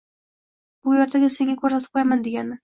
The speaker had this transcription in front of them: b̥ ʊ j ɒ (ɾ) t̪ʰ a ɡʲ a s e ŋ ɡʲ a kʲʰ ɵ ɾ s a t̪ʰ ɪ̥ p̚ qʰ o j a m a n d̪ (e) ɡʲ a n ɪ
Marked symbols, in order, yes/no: yes, yes

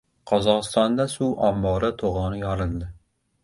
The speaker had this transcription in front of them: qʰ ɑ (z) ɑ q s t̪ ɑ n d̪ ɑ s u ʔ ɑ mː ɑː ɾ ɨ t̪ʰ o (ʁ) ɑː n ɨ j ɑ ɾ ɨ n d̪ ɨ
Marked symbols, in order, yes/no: yes, yes

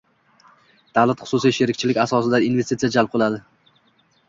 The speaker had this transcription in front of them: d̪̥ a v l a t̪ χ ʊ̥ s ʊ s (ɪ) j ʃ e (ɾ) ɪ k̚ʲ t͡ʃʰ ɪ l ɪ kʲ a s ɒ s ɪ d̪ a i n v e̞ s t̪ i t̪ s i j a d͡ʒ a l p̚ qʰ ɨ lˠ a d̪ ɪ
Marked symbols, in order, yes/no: no, yes

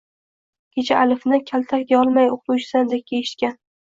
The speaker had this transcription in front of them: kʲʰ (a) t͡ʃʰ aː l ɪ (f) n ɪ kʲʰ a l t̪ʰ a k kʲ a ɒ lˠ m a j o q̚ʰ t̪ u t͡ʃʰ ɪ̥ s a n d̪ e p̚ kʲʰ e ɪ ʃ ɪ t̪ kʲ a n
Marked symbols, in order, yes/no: no, yes

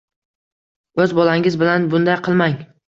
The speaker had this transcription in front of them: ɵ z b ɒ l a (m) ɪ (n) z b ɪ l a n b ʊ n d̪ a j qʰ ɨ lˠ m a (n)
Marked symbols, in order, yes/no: no, no, no

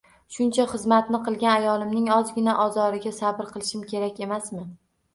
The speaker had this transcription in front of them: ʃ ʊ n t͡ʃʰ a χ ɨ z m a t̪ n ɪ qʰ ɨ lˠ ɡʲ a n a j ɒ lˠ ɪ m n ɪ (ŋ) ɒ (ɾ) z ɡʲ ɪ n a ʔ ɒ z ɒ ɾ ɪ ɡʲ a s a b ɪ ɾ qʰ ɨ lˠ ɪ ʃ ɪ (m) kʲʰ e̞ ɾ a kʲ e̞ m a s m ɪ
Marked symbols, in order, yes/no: yes, no, yes

